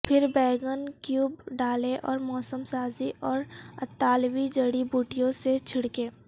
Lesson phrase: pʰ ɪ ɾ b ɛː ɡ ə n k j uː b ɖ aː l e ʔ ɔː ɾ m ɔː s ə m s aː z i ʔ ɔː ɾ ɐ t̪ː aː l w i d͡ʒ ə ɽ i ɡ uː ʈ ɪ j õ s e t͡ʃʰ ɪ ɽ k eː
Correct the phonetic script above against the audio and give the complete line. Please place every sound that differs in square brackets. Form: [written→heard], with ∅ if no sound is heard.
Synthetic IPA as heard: pʰ ɪ ɾ b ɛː ɡ ə n k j uː b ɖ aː l e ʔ ɔː ɾ m ɔː s ə m s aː z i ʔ ɔː ɾ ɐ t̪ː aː l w i d͡ʒ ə ɽ i [ɡ→b] uː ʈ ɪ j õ s e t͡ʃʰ ɪ ɽ k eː